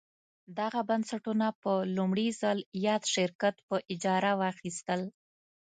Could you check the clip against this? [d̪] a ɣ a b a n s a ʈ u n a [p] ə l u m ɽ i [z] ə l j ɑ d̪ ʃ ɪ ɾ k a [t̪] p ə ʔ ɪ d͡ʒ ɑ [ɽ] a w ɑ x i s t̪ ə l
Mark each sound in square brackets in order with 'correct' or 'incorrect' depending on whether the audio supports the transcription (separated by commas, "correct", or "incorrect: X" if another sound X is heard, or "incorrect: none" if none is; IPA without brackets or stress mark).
correct, correct, correct, correct, incorrect: ɾ